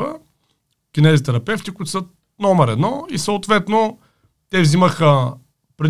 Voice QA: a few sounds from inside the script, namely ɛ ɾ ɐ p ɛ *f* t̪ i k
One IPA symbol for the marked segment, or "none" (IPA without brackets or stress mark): f